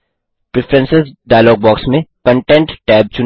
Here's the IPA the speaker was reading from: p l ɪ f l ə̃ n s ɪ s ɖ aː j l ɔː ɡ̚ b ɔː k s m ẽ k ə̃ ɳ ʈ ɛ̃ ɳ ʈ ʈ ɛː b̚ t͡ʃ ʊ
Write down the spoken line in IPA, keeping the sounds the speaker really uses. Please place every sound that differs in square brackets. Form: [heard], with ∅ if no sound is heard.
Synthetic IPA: p [ɾ] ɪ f [ɾ] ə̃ n s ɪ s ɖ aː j l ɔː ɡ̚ b ɔː k s m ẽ k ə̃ ɳ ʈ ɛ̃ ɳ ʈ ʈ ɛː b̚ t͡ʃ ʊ